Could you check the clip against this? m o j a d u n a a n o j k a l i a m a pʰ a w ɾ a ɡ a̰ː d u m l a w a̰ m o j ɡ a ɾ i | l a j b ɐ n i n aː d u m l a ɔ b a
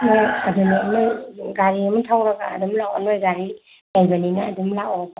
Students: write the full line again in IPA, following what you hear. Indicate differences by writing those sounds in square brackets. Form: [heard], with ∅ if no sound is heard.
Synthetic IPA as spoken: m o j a d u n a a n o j [ɡ] a [ɾ] i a m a [tʰ] a w ɾ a ɡ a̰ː d u m l a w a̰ [n] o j ɡ a ɾ i | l a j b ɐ n i n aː d u m l a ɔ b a